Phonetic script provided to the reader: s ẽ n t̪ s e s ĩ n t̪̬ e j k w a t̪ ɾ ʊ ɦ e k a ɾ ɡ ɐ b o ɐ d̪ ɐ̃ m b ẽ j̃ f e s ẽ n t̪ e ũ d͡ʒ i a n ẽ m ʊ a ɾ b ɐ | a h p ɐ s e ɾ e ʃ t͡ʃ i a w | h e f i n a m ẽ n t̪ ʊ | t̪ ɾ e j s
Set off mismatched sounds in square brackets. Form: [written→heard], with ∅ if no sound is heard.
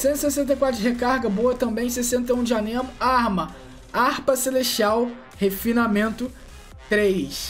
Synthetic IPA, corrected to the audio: s ẽ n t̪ s e s [ĩ→ẽ] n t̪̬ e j k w a t̪ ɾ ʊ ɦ e k a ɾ ɡ ɐ b o ɐ [d̪→t̪] ɐ̃ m b ẽ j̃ [f→s] e s ẽ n t̪ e ũ d͡ʒ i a n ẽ m ʊ a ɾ [b→m] ɐ | a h p ɐ s e [ɾ→l] e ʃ t͡ʃ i a w | h e f i n a m ẽ n t̪ ʊ | t̪ ɾ e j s